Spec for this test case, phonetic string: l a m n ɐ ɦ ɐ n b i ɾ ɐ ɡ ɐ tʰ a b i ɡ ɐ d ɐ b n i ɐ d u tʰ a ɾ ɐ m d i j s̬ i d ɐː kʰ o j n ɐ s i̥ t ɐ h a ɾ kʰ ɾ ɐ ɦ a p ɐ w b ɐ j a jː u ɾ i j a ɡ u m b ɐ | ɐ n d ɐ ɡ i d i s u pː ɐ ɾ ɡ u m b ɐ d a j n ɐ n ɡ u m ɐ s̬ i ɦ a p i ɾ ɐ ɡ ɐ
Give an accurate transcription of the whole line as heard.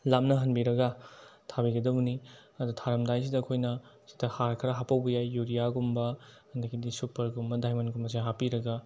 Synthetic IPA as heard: l a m n ɐ ɦ ɐ n b i ɾ ɐ ɡ ɐ tʰ a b i ɡ ɐ d ɐ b n i ɐ d u tʰ a ɾ ɐ m d a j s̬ i d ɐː kʰ o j n ɐ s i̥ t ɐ h a ɾ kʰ ɾ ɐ ɦ a p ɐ w b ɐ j a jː u ɾ i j a ɡ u m b ɐ | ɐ n d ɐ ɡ i d i s u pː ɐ ɾ ɡ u m b ɐ d a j m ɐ n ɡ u m ɐ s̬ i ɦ a p i ɾ ɐ ɡ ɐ